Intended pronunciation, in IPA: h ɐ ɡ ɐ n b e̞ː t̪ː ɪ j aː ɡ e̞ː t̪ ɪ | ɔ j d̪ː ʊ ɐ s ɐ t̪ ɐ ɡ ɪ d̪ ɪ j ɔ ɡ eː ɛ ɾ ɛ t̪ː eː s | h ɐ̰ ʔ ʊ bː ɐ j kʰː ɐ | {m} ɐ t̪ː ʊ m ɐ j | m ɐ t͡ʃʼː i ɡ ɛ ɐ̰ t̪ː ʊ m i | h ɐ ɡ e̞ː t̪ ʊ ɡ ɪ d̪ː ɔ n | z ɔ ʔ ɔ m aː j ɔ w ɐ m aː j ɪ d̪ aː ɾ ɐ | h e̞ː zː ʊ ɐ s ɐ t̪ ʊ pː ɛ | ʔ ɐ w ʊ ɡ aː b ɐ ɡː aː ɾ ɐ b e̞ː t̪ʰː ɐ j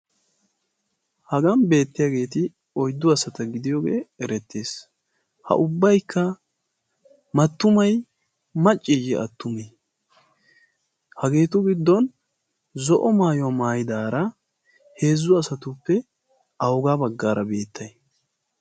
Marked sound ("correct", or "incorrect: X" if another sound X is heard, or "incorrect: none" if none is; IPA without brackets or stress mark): correct